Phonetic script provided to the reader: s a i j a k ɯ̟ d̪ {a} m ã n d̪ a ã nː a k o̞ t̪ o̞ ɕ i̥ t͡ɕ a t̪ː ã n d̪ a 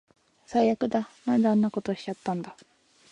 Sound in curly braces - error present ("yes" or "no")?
no